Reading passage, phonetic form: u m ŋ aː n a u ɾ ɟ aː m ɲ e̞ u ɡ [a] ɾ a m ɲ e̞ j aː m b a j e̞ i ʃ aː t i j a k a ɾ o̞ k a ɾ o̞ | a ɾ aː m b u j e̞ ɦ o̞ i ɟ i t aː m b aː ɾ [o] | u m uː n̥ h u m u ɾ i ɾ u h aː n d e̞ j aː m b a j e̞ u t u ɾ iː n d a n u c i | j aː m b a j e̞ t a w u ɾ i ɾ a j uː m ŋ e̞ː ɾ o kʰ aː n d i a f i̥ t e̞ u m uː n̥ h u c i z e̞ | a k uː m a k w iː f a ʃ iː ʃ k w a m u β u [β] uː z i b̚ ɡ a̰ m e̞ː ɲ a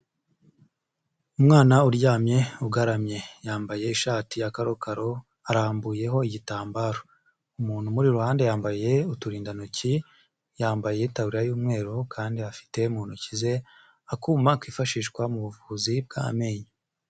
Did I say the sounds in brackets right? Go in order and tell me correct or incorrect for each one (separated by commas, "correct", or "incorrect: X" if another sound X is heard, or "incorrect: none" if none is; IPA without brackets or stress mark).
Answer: correct, correct, incorrect: v